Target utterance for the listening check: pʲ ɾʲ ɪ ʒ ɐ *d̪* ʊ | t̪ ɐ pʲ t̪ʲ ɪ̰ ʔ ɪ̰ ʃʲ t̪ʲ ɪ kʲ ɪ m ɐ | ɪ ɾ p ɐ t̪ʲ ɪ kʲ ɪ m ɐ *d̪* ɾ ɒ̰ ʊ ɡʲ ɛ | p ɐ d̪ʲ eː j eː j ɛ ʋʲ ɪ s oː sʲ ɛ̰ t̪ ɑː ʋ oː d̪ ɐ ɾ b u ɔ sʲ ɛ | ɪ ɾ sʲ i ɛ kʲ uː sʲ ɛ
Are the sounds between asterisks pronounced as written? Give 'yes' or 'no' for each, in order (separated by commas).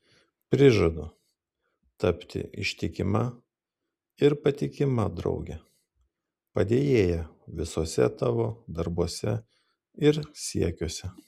yes, yes